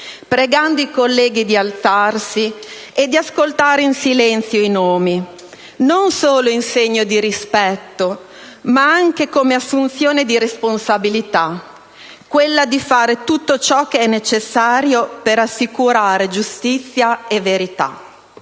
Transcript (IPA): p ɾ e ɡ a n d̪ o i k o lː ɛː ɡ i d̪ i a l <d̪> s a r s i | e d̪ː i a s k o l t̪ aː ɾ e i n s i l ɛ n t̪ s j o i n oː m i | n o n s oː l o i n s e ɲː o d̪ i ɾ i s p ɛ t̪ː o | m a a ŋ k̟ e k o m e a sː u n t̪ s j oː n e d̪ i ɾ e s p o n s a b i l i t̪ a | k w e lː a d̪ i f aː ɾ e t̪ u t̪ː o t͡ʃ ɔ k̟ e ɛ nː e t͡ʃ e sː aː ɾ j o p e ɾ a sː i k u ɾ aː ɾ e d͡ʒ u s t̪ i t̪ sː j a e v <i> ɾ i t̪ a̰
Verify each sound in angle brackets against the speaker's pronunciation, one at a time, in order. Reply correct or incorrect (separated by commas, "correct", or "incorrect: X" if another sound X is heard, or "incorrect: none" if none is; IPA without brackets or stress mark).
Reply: incorrect: t̪, incorrect: e